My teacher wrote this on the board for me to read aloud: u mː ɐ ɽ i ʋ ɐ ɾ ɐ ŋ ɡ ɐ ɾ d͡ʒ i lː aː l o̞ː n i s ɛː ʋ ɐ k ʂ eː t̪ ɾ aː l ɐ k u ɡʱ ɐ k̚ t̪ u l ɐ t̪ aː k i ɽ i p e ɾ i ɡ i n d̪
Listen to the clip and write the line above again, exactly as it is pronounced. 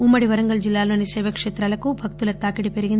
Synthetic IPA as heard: u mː ɐ ɽ i ʋ ɐ ɾ ɐ ŋ ɡ ɐ l d͡ʒ i lː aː l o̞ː n i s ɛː ʋ ɐ k ʂ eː t̪ ɾ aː l ɐ k u bʱ ɐ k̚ t̪ u l ɐ t̪ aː k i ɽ i p e ɾ i ɡ i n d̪